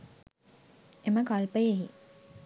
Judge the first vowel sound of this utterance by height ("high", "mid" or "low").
mid